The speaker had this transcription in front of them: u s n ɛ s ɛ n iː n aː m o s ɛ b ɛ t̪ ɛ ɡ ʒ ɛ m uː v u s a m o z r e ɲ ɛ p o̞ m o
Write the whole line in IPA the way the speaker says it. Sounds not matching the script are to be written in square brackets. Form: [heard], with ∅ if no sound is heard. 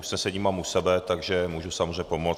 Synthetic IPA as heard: u s n ɛ s ɛ [ɲ] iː [m] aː m [u] s ɛ b ɛ t̪ [a] ɡ ʒ ɛ m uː [ʒ] u s a m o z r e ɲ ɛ p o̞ m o